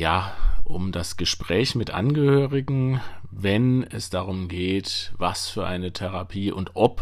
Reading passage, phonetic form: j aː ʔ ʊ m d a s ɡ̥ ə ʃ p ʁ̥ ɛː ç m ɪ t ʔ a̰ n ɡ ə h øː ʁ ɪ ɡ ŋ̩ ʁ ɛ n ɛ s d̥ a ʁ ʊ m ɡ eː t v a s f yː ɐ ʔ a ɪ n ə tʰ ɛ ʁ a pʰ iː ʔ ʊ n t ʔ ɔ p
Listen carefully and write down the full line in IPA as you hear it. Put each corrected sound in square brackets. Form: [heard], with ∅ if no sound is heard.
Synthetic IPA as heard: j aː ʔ ʊ m d a s ɡ̥ ə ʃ p ʁ̥ ɛː ç m ɪ t ʔ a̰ n ɡ ə h øː ʁ ɪ ɡ ŋ̩ [v] ɛ n ɛ s d̥ a ʁ ʊ m ɡ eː t v a s f yː ɐ ʔ a ɪ n ə tʰ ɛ ʁ a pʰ iː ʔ ʊ n t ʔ ɔ p